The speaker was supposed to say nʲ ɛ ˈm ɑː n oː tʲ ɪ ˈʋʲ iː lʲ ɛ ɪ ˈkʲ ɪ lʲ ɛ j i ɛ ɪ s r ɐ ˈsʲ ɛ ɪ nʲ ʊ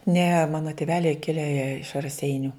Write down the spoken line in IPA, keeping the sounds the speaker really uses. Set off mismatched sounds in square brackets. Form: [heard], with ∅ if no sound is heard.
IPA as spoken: nʲ ɛ ˈm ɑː n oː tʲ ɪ ˈʋʲ [æː] lʲ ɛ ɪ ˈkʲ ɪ lʲ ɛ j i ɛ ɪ [ʃ] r ɐ ˈsʲ ɛ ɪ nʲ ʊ